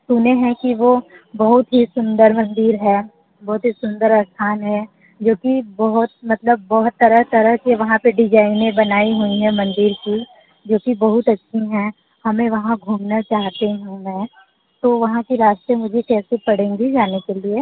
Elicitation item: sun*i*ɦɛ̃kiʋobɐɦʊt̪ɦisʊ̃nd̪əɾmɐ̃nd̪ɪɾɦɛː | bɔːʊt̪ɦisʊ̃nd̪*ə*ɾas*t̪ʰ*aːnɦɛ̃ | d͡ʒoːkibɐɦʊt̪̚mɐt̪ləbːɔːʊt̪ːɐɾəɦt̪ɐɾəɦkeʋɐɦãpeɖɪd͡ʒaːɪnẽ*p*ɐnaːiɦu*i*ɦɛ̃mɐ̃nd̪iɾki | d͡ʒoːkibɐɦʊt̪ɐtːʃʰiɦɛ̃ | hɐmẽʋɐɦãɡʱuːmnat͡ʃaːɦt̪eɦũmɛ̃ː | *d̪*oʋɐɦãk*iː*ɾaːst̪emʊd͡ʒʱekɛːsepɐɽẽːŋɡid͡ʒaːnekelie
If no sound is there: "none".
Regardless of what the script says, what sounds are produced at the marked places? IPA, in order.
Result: e, ə, t̪ʰ, b, i, t̪, i

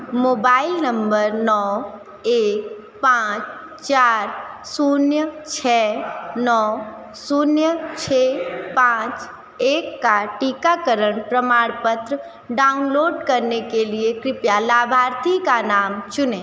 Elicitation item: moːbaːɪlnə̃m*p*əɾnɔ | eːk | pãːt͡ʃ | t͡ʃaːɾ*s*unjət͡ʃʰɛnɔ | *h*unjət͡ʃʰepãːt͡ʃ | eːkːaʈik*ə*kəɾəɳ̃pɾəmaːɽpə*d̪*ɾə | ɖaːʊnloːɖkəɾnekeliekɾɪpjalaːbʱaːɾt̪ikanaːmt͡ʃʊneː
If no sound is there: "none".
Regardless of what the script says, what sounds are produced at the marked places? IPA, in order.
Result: b, s, s, a, t̪

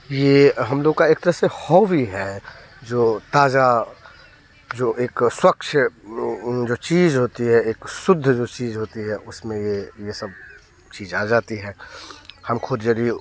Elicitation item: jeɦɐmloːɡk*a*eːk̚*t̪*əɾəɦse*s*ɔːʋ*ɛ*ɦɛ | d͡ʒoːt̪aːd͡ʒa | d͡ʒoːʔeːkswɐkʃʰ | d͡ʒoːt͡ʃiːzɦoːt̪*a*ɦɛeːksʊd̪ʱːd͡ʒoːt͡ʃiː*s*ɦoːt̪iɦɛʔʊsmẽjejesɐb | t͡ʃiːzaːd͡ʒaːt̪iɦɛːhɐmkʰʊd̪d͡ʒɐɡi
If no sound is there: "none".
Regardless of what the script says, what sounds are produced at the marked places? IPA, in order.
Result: a, t̪, h, i, i, z

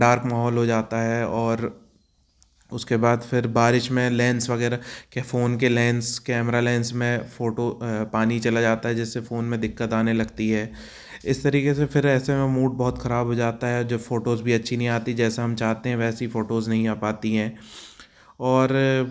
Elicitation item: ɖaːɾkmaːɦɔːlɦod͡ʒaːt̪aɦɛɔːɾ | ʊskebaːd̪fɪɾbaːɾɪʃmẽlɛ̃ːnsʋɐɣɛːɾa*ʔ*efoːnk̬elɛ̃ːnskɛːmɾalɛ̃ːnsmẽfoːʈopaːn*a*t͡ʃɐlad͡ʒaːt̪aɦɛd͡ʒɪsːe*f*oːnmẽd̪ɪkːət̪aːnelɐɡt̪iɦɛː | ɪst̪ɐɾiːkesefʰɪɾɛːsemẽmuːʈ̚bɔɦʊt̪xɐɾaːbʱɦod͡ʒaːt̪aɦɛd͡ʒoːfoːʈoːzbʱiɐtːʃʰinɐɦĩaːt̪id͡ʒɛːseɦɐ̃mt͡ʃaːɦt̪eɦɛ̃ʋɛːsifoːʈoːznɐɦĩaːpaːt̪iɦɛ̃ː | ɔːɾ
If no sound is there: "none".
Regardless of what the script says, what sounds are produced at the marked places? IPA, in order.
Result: k, i, f

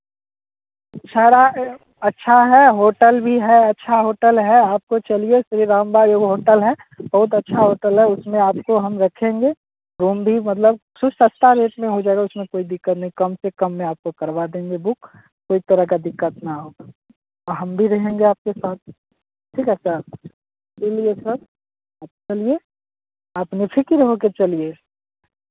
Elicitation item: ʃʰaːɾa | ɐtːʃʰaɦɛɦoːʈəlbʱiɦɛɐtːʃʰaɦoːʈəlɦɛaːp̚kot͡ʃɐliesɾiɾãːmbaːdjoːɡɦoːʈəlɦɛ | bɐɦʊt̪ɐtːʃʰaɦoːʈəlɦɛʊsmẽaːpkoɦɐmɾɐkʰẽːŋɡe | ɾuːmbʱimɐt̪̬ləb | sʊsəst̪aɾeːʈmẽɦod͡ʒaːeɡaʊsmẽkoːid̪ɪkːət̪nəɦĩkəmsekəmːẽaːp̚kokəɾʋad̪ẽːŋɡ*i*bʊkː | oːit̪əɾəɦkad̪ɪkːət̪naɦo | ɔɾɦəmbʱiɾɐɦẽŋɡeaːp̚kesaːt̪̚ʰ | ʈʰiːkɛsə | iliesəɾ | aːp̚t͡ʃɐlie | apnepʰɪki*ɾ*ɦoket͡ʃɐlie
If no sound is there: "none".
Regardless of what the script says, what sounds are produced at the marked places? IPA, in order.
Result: e, ɾ

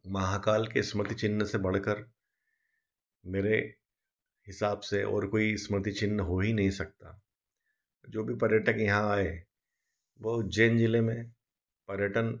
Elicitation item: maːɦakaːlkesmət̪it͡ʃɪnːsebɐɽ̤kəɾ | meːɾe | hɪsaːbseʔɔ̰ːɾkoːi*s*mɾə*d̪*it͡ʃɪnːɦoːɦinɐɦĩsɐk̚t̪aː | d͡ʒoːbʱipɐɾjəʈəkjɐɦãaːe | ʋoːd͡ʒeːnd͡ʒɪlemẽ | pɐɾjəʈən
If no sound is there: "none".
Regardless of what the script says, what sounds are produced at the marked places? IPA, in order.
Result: s, t̪

